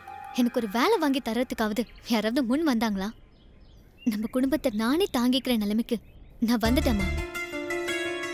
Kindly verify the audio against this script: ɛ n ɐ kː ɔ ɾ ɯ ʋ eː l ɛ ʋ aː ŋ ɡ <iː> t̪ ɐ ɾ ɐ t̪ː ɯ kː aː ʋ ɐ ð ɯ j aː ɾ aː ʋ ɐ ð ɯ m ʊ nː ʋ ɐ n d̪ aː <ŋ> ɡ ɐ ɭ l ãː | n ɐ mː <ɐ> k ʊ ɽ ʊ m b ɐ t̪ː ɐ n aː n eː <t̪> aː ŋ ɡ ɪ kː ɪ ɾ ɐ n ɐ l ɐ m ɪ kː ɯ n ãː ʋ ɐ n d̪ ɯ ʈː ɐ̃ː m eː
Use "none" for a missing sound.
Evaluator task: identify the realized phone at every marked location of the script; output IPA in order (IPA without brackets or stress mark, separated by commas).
i, ŋ, ɐ, t̪